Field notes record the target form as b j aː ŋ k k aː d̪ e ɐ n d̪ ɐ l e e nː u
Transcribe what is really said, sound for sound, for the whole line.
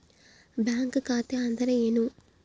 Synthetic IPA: b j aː ŋ k k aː t̪ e ɐ n d̪ ɐ ɾ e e n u